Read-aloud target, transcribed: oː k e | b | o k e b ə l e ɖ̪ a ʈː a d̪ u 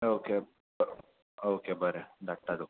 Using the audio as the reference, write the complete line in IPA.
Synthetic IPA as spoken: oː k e | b | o k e b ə ɾ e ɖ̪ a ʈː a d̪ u